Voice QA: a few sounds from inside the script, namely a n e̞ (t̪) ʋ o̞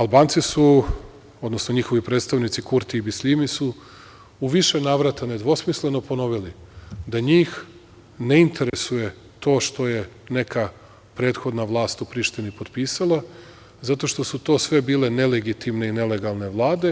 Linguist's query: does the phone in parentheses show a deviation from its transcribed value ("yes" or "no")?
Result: yes